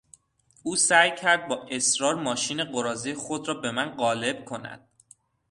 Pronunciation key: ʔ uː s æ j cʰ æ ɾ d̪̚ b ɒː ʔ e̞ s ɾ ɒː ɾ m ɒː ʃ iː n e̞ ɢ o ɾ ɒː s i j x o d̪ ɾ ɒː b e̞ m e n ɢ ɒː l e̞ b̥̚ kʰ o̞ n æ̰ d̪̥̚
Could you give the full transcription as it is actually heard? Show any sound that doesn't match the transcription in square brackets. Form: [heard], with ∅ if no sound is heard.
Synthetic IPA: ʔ uː s æ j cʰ æ ɾ d̪̚ b ɒː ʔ e̞ s ɾ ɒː ɾ m ɒː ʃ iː n e̞ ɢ o ɾ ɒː [z] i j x o d̪ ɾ ɒː b e̞ m [æ] n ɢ ɒː l e̞ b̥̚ kʰ o̞ n æ̰ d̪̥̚